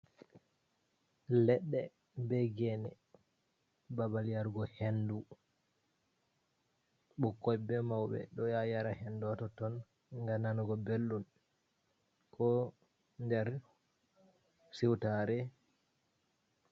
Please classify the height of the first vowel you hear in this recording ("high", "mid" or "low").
mid